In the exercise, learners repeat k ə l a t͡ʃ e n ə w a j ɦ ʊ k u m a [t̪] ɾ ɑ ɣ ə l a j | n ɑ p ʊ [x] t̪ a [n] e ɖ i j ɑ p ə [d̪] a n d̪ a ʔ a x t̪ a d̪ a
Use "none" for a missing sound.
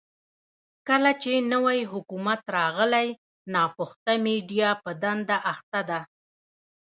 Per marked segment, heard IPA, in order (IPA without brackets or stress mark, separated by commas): t̪, x, m, d̪